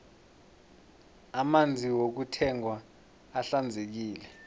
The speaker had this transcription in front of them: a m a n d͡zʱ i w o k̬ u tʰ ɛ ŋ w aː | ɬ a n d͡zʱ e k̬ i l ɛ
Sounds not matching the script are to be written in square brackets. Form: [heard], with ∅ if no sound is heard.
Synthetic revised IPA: a m a n d͡zʱ i w o k̬ u tʰ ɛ ŋ w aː | ɬ a n d͡zʱ e k̬ [iː] l ɛ